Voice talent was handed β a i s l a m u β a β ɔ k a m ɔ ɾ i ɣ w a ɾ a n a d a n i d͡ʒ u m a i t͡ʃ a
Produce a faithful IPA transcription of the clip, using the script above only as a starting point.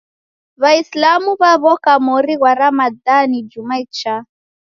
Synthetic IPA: β a i s l a m u β a β ɔ k a m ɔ ɾ i ɣ w a ɾ a m a d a n i d͡ʒ u m a i t͡ʃ a